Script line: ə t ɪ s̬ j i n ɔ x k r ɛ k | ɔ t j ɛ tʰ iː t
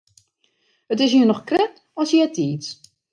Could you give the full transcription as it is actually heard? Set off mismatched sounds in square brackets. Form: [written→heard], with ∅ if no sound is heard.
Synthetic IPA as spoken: ə t ɪ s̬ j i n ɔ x k r ɛ [k→t] | ɔ [t→s] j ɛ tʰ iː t